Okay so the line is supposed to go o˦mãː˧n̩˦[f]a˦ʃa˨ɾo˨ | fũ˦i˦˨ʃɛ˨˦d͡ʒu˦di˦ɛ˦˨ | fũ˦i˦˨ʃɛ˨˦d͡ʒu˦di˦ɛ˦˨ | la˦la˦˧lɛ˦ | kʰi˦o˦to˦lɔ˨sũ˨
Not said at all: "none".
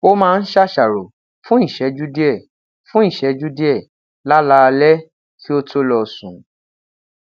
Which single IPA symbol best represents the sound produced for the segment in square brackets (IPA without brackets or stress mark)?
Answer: ʃ